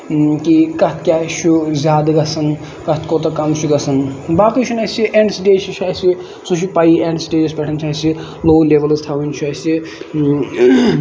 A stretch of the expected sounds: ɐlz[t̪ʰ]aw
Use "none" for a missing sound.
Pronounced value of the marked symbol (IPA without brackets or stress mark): t̪ʰ